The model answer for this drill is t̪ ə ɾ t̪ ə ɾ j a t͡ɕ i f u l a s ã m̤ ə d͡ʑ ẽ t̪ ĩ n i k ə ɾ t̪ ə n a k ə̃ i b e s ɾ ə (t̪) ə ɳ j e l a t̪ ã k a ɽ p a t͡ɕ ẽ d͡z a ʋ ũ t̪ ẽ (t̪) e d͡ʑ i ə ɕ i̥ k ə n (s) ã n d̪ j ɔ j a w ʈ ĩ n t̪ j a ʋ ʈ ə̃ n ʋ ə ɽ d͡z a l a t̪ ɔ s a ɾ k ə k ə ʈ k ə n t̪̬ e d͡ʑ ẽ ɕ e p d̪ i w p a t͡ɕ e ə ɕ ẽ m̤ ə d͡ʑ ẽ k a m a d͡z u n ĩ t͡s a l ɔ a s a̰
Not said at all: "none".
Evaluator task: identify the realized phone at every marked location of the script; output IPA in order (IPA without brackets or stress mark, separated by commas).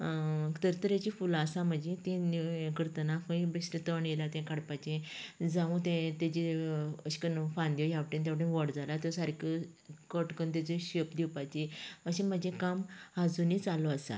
t̪, t̪, f